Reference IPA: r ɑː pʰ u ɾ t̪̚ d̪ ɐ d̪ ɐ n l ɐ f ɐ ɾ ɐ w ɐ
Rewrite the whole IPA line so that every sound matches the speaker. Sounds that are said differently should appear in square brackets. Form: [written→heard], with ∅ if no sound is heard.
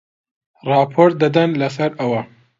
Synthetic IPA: r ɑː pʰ [u→o] ɾ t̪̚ d̪ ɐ d̪ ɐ n l ɐ [f→s] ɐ ɾ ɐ w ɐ